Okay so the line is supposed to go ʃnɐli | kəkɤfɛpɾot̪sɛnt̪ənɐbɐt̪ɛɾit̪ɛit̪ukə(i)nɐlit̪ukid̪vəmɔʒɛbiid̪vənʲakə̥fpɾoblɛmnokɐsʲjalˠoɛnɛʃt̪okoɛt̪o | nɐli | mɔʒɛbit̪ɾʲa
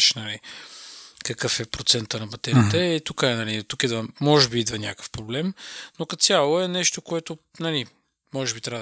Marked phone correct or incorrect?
incorrect